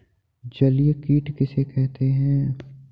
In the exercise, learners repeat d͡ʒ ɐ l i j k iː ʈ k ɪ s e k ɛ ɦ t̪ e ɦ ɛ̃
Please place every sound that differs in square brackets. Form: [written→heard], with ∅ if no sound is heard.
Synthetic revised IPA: d͡ʒ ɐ l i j k iː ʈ k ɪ s e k ɛ ɦ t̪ e ɦ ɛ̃